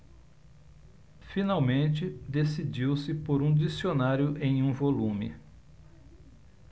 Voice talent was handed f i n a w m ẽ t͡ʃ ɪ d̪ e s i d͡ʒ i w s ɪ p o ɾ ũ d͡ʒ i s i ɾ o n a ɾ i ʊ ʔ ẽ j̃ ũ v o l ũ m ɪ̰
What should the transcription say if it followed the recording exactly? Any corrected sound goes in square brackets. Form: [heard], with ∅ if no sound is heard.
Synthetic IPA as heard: f i n a w m ẽ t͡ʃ ɪ d̪ e s i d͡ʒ i w s ɪ p o ɾ ũ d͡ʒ i s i [∅] o n a ɾ [j] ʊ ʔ ẽ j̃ ũ v o l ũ m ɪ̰